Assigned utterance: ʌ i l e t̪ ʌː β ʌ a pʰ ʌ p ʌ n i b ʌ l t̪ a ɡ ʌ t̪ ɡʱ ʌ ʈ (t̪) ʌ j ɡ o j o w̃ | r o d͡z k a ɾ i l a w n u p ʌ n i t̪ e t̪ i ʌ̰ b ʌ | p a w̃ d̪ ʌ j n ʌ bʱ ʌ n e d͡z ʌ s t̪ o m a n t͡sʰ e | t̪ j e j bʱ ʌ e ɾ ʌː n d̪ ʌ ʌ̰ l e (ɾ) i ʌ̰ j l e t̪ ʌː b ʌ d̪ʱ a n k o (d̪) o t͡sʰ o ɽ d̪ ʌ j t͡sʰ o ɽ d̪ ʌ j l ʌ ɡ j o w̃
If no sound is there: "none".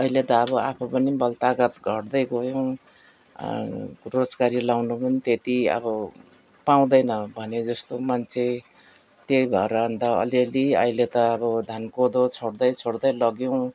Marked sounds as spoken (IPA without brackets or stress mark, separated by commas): d̪, l, d̪